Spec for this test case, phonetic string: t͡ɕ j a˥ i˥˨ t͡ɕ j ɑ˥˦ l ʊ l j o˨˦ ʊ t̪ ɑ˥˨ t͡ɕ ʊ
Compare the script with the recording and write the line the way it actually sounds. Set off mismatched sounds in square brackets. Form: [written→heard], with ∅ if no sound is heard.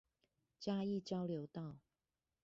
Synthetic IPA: t͡ɕ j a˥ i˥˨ t͡ɕ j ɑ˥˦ [l→∅] ʊ l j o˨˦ ʊ t̪ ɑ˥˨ [t͡ɕ→∅] ʊ